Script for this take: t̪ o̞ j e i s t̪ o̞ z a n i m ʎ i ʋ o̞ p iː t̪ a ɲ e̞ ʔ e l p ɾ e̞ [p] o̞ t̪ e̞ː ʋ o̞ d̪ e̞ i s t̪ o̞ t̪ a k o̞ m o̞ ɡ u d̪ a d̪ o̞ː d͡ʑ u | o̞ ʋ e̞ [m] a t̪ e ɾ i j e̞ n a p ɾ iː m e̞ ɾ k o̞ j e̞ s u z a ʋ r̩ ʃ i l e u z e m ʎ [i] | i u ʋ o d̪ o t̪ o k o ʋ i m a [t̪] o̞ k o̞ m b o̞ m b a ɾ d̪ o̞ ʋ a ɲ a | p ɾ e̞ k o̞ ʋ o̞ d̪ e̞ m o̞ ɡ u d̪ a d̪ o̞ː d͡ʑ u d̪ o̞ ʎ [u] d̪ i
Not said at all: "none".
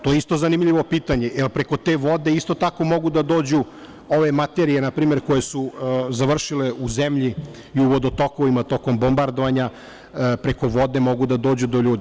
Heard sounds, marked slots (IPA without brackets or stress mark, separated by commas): k, m, i, t̪, uː